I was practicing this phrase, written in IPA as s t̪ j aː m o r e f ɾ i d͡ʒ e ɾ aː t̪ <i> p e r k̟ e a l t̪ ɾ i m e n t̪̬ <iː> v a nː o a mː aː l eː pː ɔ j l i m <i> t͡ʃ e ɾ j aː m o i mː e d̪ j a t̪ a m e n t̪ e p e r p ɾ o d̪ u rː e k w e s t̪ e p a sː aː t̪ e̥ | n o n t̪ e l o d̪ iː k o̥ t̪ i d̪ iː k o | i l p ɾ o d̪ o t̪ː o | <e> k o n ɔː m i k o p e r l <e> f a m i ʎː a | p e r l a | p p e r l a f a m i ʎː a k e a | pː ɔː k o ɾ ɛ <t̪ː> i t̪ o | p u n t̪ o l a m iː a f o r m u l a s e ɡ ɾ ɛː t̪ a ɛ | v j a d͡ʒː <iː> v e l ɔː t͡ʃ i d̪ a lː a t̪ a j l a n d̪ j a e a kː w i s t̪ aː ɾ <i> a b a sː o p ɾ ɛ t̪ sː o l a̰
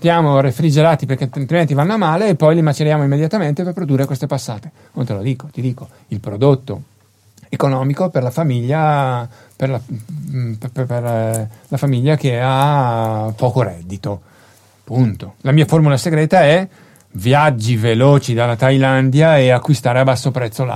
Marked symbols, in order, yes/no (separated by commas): yes, no, no, yes, no, no, no, no